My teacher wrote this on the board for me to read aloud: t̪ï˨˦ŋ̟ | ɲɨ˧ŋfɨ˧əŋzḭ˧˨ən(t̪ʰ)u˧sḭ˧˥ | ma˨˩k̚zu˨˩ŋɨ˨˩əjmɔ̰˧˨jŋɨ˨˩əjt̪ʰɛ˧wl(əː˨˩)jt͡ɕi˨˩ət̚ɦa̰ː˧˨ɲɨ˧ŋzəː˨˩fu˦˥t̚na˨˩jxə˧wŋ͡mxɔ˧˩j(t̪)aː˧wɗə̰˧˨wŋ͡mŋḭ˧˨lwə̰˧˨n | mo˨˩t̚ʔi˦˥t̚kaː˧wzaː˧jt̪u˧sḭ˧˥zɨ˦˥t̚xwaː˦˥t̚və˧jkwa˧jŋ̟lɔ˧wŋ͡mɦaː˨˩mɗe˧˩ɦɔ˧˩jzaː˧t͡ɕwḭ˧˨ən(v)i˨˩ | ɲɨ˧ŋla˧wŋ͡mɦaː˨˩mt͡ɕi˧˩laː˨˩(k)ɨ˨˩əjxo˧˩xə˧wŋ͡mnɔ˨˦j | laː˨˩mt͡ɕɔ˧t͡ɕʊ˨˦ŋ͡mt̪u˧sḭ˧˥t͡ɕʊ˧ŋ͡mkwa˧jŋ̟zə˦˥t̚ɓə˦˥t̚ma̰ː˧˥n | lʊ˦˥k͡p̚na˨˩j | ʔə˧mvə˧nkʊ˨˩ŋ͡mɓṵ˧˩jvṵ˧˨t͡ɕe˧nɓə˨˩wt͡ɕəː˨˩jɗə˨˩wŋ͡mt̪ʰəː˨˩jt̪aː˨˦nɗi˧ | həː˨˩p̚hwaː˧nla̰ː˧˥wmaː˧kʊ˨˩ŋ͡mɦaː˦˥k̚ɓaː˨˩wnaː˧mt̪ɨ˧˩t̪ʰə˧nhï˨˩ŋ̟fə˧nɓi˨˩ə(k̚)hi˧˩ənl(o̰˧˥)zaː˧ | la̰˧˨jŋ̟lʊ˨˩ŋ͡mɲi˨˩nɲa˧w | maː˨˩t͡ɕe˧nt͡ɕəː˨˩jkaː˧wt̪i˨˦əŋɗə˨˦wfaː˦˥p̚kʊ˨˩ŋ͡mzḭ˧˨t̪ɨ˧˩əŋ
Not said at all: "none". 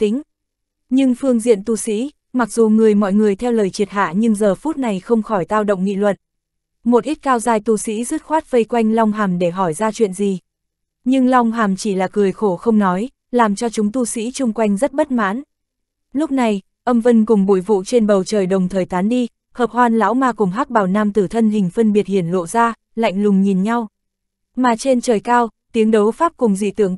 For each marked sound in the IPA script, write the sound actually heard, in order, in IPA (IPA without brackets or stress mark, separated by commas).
t̪, əː˨˩, t̪, z, k, t̚, o̰˧˨